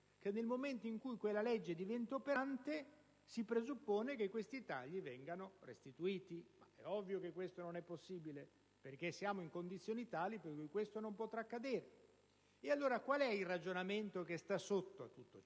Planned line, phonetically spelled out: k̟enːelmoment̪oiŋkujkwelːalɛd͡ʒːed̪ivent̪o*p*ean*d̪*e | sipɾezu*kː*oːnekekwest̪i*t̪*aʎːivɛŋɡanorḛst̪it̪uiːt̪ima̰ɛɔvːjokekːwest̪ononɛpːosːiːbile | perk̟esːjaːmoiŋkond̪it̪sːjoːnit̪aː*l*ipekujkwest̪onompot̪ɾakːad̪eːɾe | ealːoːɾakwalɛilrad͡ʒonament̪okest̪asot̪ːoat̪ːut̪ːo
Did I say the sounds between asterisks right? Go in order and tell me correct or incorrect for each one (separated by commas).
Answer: correct, incorrect, incorrect, correct, correct